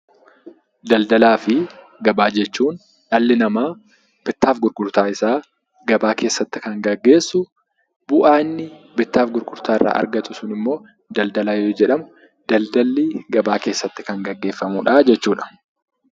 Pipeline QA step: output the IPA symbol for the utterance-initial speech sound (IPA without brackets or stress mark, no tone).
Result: d̪